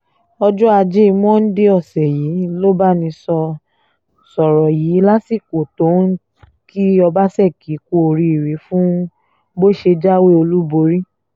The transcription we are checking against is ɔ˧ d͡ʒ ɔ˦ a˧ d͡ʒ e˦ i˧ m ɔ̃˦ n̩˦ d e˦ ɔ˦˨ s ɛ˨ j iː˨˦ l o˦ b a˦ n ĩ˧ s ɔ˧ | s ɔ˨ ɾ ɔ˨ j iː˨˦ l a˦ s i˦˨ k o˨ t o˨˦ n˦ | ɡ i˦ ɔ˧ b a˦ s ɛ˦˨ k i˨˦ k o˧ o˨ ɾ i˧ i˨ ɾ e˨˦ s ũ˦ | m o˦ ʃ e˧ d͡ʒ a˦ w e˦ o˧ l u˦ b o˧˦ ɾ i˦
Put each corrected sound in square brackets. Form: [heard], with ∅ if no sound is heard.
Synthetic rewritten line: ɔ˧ d͡ʒ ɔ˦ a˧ d͡ʒ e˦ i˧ m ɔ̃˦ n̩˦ d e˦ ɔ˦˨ s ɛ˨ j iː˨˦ l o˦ b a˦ n ĩ˧ s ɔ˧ | s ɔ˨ ɾ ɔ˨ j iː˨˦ l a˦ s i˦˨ k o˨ t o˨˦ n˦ | [k] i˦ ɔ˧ b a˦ s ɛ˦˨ k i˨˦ k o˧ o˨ ɾ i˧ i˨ ɾ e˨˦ [f] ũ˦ | [b] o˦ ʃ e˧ d͡ʒ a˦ w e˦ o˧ l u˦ b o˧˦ ɾ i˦